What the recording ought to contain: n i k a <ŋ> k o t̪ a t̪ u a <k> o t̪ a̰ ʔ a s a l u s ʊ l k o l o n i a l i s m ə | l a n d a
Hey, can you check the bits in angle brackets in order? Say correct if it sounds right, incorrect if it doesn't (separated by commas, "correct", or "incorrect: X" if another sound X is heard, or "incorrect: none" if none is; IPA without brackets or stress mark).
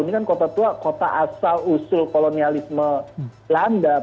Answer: incorrect: n, correct